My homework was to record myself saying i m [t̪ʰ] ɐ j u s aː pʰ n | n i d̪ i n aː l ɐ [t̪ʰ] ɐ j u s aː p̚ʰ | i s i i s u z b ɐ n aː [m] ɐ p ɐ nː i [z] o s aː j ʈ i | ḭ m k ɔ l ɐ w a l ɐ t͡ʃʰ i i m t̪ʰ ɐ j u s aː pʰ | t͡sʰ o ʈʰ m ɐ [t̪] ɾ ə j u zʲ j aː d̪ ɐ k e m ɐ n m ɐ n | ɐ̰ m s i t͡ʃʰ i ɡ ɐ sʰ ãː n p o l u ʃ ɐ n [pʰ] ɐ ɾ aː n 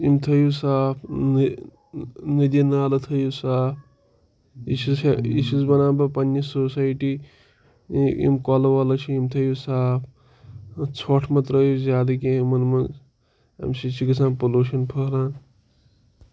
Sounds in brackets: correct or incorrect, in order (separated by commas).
correct, correct, incorrect, incorrect, correct, correct